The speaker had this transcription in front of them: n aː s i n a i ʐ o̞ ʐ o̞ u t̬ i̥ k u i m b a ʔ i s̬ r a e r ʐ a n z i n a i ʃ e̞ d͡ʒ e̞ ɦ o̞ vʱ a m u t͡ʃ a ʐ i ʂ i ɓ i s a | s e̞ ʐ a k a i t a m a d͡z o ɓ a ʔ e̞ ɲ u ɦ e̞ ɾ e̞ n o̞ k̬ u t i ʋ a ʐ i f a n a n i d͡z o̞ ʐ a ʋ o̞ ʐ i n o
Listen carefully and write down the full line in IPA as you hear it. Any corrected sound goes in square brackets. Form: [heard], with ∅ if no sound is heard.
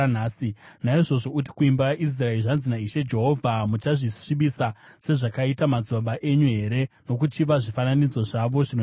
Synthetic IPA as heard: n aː s i n a i ʐ o̞ ʐ o̞ u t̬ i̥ k u i m b a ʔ i s̬ r a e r ʐ a n z i n a i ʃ e̞ d͡ʒ e̞ ɦ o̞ vʱ a m u t͡ʃ a ʐ i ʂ i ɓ i s a | s e̞ ʐ a k a i t a m a d͡z o ɓ a ʔ e̞ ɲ u ɦ e̞ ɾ e̞ n o̞ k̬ u [t͡ʃ] i ʋ a ʐ i f a n a n i d͡z o̞ ʐ a ʋ o̞ ʐ i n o

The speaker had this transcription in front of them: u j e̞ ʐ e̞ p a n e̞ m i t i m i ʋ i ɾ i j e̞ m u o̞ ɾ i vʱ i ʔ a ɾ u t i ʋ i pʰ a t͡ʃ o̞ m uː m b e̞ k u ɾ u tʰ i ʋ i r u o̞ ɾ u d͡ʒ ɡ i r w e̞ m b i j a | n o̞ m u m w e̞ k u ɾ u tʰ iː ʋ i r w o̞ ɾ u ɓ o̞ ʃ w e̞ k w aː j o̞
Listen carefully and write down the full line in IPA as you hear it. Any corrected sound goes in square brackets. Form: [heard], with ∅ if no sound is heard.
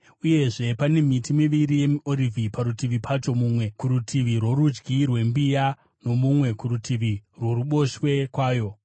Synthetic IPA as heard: u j e̞ ʐ e̞ p a n e̞ m i t i m i ʋ i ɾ i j e̞ m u o̞ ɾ i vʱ i [p] a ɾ u t i ʋ i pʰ a t͡ʃ o̞ m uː m [w] e̞ k u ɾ u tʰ i ʋ i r [w] o̞ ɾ u d͡ʒ ɡ i r w e̞ m b i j a | n o̞ m u m w e̞ k u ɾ u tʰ [i] ʋ i r w o̞ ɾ u ɓ o̞ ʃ w e̞ k w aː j o̞

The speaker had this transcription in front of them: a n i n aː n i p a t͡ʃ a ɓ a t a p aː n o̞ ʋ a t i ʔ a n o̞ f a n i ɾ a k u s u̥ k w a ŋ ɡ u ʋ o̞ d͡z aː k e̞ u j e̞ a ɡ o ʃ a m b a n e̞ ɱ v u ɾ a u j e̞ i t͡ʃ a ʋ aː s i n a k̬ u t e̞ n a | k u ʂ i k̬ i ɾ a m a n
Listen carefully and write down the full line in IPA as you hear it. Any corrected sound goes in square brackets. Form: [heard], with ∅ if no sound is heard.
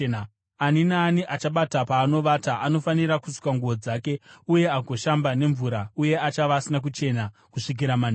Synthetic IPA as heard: a n i n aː n i [ʔ] a t͡ʃ a ɓ a t a p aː n o̞ ʋ a t [a] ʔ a n o̞ f a n i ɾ a k u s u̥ k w a ŋ ɡ u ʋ o̞ d͡z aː k e̞ u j e̞ a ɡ o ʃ a m b a n e̞ ɱ v u ɾ a u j e̞ [a] t͡ʃ a ʋ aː s i n a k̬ u [t͡ʃ] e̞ n a | k u ʂ i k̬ i ɾ a m a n

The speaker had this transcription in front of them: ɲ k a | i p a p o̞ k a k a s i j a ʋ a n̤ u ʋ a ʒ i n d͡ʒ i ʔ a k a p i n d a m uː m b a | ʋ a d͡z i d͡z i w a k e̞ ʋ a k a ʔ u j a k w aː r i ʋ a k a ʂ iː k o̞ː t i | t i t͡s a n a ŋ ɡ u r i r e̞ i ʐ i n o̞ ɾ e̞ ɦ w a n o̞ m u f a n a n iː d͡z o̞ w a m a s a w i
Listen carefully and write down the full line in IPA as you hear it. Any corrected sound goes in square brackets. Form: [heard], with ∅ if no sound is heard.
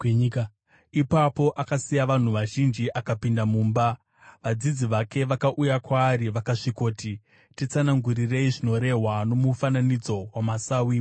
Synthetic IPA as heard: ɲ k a | i p a p o̞ [ʔ] a k a s i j a ʋ a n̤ u ʋ a ʒ i n d͡ʒ i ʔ a k a p i n d a m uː m b a | ʋ a d͡z i d͡z i [ʋ] a k e̞ ʋ a k a ʔ u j a k w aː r i ʋ a k a ʂ [i] k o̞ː t i | t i t͡s a n a ŋ ɡ u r i r e̞ i ʐ i n o̞ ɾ e̞ ɦ w a n o̞ m u f a n a n [i] d͡z o̞ w a m a s a w i

